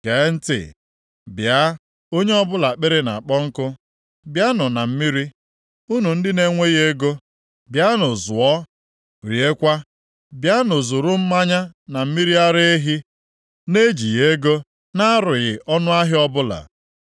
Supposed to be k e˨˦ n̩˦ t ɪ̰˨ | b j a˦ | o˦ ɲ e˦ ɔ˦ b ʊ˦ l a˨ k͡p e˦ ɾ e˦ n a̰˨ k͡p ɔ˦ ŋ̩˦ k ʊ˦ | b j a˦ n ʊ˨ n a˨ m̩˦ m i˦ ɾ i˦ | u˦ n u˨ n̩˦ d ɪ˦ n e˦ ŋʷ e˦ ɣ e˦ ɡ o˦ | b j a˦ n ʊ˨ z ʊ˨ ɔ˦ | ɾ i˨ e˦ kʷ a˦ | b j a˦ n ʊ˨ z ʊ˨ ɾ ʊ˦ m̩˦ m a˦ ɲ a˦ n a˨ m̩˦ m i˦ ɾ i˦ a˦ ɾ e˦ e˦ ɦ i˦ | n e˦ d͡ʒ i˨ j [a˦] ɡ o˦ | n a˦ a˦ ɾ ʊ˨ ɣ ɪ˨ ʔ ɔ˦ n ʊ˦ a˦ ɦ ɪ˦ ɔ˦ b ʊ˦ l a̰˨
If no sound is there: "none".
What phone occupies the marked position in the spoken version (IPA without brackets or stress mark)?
e˦